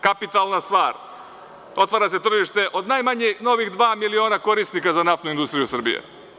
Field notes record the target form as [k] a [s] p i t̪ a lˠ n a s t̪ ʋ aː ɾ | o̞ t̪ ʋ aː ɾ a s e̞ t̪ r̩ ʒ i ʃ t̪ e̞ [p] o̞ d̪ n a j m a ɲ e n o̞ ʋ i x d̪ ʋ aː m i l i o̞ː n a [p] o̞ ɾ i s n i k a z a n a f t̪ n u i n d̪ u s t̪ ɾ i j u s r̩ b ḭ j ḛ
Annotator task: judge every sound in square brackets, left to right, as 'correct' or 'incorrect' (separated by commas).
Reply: correct, incorrect, incorrect, incorrect